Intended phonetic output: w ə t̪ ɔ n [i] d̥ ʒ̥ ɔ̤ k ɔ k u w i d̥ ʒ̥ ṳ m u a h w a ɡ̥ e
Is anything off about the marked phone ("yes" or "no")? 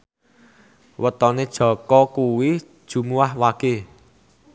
yes